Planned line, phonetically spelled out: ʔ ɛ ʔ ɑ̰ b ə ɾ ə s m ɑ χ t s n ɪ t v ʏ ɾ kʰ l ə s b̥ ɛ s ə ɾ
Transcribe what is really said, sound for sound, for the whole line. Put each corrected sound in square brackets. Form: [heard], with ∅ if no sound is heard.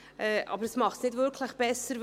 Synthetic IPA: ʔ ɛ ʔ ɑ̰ b ə ɾ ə s m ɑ χ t s n ɪ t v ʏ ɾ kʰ l ə [χ] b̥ ɛ s ə ɾ